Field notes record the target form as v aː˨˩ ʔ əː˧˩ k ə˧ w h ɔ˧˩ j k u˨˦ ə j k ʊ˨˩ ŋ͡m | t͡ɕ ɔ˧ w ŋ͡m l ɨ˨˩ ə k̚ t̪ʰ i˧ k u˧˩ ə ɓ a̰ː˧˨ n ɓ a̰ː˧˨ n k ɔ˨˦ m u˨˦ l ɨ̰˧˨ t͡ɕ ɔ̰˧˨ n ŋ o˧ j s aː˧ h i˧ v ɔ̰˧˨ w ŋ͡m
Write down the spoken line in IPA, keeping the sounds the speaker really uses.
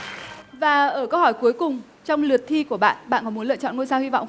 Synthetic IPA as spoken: v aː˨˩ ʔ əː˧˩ k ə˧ w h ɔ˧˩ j k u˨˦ ə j k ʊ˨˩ ŋ͡m | t͡ɕ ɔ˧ w ŋ͡m l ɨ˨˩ ə t̚ t̪ʰ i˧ k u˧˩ ə ɓ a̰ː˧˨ n ɓ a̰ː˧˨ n k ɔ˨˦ m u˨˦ l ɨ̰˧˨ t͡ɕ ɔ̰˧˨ n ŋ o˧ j s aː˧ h i˧ v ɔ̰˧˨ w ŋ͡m